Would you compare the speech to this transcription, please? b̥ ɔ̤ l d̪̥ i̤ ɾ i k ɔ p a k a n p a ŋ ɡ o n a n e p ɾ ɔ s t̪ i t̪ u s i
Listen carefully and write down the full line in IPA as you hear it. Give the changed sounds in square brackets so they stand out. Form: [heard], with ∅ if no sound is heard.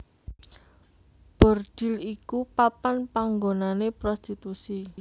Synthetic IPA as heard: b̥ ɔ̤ [r] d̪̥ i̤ [l] i k [u] p a [p] a n p a ŋ ɡ o n a n e p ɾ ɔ s t̪ i t̪ u s i